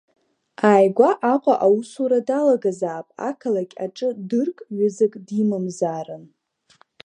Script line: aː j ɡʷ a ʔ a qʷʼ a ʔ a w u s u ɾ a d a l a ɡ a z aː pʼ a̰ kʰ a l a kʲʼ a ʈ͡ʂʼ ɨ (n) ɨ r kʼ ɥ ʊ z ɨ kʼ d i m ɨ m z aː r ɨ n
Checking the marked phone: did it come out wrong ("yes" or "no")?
yes